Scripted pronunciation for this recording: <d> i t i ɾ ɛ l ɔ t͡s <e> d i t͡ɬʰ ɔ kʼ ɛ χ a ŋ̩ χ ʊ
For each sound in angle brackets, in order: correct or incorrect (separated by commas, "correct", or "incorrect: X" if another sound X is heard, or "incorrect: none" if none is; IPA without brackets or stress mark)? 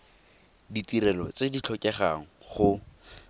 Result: correct, correct